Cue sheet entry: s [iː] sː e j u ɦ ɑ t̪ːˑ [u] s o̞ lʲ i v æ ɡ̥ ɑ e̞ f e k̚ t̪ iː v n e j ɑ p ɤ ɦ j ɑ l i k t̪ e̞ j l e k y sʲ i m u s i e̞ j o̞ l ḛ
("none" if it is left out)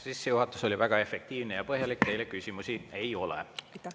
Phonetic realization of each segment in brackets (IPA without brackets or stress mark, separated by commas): i, u